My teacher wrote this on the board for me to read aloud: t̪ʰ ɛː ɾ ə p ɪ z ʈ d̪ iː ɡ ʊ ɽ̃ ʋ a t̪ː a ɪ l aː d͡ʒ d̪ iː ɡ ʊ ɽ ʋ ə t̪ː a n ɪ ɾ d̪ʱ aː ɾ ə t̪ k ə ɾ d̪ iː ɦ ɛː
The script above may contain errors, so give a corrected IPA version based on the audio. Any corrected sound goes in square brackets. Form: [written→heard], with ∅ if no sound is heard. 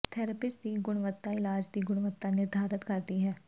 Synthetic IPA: t̪ʰ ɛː ɾ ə p ɪ [z→s] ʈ d̪ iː ɡ ʊ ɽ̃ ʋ [a→ə] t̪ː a ɪ l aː d͡ʒ d̪ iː ɡ ʊ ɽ ʋ ə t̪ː a n ɪ ɾ d̪ʱ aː ɾ ə t̪ k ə ɾ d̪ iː ɦ ɛː

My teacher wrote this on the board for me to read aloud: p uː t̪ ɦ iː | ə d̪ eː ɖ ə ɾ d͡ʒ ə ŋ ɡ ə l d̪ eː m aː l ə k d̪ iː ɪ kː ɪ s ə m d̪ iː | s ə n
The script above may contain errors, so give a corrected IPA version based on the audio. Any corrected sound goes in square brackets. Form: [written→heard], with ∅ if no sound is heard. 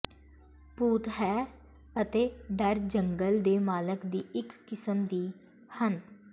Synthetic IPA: p uː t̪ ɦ [iː→ɛː] | ə [d̪→t̪] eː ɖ ə ɾ d͡ʒ ə ŋ ɡ ə l d̪ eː m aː l ə k d̪ iː ɪ kː ɪ s ə m d̪ iː | [s→h] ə n

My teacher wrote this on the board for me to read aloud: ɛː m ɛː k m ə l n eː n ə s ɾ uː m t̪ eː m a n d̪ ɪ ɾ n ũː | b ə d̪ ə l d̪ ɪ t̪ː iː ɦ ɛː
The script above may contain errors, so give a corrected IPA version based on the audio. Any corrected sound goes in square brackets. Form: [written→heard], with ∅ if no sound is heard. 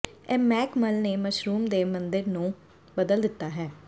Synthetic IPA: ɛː m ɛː k m ə l n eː [n→m] ə [s→ʃ] ɾ uː m [t̪→d̪] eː m [a→ə] n d̪ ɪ ɾ n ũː | b ə d̪ ə l d̪ ɪ t̪ː [iː→aː] ɦ ɛː

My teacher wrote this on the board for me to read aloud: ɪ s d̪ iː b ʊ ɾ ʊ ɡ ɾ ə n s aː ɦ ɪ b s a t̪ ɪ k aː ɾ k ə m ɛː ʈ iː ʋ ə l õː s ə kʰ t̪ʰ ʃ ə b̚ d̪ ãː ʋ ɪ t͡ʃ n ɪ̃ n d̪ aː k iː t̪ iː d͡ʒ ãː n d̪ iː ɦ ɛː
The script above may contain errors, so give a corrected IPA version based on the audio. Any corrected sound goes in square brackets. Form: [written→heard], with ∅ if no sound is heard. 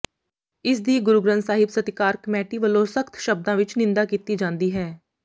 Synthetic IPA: ɪ s d̪ iː [b→ɡ] ʊ ɾ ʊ ɡ ɾ ə n s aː ɦ ɪ b s [a→ə] t̪ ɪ k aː ɾ k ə m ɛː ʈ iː ʋ ə l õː s ə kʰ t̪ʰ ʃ ə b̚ d̪ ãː ʋ ɪ t͡ʃ n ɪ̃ n d̪ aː k iː t̪ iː d͡ʒ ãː n d̪ iː ɦ ɛː

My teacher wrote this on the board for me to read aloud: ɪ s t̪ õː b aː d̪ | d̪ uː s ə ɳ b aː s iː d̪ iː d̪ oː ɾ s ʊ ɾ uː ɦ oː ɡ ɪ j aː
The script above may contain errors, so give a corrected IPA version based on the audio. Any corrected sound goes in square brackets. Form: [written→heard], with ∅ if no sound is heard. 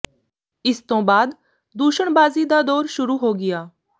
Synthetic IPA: ɪ s t̪ õː b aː d̪ | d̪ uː [s→ʃ] ə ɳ b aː [s→z] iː d̪ [iː→aː] d̪ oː ɾ [s→ʃ] ʊ ɾ uː ɦ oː ɡ ɪ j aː

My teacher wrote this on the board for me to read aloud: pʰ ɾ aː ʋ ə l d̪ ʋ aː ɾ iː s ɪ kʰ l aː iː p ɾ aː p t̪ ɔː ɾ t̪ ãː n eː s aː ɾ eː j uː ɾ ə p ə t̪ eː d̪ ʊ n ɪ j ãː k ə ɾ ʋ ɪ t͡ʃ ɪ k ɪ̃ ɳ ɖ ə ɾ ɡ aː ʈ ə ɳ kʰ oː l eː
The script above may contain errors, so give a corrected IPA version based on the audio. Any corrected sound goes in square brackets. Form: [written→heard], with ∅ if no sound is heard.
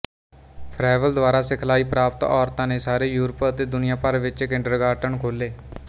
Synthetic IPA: pʰ ɾ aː ʋ ə l d̪ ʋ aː ɾ [iː→aː] s ɪ kʰ l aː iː p ɾ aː p t̪ ɔː ɾ t̪ ãː n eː s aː ɾ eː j uː ɾ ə p ə t̪ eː d̪ ʊ n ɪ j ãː [k→p] ə ɾ ʋ ɪ t͡ʃ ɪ k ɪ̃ ɳ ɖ ə ɾ ɡ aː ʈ ə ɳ kʰ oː l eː

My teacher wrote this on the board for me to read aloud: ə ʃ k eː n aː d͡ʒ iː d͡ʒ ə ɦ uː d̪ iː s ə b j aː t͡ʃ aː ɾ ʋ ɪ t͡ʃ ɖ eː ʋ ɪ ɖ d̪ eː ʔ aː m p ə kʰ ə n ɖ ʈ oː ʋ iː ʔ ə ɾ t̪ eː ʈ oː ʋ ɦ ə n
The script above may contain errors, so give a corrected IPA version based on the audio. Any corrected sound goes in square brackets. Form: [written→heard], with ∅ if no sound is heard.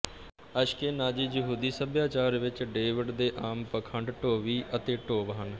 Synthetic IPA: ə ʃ k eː n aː d͡ʒ iː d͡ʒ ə ɦ uː d̪ iː s ə b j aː t͡ʃ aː ɾ ʋ ɪ t͡ʃ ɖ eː ʋ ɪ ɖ d̪ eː ʔ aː m p ə kʰ ə [n→ɳ] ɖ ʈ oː ʋ iː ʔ ə [ɾ→∅] t̪ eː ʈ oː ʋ ɦ ə n

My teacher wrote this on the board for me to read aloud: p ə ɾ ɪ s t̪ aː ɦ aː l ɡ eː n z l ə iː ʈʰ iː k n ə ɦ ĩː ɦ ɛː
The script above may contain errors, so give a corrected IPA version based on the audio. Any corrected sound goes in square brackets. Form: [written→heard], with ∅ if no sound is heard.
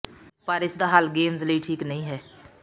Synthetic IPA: p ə ɾ ɪ s [t̪→d̪] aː ɦ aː l ɡ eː [n→m] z l ə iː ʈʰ iː k n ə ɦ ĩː ɦ ɛː

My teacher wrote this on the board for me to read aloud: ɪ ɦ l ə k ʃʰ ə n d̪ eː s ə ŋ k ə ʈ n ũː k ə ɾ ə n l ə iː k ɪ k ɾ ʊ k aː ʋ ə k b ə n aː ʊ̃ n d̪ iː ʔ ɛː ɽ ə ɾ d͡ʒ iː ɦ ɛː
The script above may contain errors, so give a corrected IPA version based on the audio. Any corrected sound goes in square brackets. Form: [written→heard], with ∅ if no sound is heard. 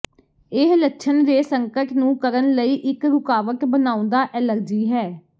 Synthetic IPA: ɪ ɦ l ə k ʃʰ ə n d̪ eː s ə ŋ k ə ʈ n ũː k ə ɾ ə n l ə iː [k→ʔ] ɪ k ɾ ʊ k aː ʋ ə k b ə n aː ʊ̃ n d̪ [iː→aː] ʔ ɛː [ɽ→l] ə ɾ d͡ʒ iː ɦ ɛː

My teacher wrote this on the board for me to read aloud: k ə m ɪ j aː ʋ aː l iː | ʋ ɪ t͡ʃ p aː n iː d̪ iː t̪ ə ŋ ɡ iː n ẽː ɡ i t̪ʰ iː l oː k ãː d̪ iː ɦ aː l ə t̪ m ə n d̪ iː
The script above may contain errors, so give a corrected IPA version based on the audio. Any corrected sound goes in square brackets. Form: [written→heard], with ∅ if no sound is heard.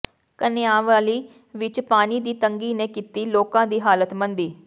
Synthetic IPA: k ə [m→n] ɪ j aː ʋ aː l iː | ʋ ɪ t͡ʃ p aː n iː d̪ iː t̪ ə ŋ ɡ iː n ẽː [ɡ→k] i [t̪ʰ→t̪] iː l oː k ãː d̪ iː ɦ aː l ə t̪ m ə n d̪ iː

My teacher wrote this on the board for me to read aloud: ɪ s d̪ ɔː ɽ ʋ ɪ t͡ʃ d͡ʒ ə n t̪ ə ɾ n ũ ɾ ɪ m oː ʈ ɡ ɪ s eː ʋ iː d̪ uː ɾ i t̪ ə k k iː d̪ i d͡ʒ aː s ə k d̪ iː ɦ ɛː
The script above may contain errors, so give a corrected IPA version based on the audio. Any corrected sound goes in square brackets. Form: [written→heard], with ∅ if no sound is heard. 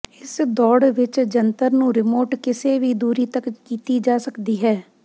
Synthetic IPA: ɪ s d̪ ɔː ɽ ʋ ɪ t͡ʃ d͡ʒ ə n t̪ ə ɾ n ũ ɾ ɪ m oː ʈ [ɡ→k] ɪ s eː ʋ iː d̪ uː ɾ i t̪ ə k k iː [d̪→t̪] i d͡ʒ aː s ə k d̪ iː ɦ ɛː

